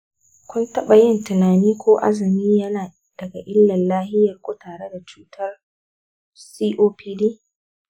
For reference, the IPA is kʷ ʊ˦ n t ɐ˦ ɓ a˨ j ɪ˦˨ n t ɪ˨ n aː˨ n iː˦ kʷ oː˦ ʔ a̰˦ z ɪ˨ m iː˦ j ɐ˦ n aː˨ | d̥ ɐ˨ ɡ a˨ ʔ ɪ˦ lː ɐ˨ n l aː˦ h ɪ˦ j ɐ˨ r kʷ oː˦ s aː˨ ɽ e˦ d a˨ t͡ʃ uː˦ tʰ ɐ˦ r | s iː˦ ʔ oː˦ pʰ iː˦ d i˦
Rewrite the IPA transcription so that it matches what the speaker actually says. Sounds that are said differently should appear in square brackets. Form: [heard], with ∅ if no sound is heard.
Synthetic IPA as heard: kʷ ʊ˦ n t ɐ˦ ɓ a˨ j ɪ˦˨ n t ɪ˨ n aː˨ n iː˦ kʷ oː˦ ʔ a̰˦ z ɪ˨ m iː˦ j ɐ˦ n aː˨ | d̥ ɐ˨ ɡ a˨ ʔ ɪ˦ lː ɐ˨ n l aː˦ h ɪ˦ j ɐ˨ r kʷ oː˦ [t] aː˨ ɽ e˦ d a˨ t͡ʃ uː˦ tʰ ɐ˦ r | s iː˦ ʔ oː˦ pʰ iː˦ d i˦